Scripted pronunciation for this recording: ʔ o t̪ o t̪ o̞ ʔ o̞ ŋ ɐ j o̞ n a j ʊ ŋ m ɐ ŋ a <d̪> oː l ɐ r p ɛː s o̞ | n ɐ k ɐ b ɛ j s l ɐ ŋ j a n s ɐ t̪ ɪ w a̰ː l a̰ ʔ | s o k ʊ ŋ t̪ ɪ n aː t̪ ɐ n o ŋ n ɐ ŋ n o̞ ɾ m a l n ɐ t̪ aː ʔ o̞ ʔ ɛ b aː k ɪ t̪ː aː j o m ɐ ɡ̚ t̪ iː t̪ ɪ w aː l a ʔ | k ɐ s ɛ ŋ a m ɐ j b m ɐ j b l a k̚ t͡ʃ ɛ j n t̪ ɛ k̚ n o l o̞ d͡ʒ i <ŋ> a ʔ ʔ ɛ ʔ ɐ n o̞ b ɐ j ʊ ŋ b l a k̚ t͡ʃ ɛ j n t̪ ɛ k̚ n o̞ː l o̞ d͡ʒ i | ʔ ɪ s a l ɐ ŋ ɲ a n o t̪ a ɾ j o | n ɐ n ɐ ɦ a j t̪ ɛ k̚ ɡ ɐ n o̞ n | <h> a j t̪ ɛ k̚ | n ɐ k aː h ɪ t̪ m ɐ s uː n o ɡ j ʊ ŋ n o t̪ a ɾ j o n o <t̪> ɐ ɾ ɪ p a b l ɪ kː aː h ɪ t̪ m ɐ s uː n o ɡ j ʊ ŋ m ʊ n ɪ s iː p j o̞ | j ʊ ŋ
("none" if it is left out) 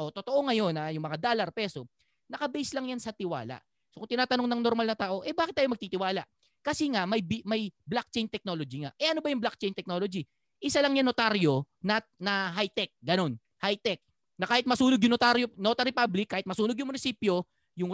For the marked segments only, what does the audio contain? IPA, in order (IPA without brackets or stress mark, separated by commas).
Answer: d̪, ŋ, h, t̪